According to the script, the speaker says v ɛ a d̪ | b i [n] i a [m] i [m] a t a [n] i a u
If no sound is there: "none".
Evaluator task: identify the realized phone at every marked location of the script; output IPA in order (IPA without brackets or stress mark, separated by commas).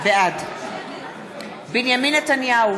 n, m, n, n